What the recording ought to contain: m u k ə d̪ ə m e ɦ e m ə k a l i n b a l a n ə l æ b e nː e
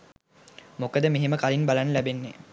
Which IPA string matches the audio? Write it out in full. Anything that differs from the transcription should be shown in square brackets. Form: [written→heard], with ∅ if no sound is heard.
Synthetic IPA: m [u→o] k ə d̪ ə m e ɦ e m ə k a l i n b a l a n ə l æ b e nː e